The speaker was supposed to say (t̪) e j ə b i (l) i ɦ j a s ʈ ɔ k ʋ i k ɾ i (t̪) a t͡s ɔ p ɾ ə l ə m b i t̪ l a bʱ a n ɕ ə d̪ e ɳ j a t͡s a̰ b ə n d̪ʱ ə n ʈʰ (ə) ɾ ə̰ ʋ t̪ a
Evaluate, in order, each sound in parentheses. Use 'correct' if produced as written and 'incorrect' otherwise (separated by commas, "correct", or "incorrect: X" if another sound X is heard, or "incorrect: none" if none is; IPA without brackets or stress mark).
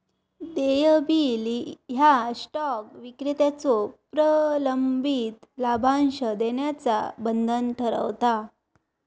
incorrect: d̪, correct, correct, correct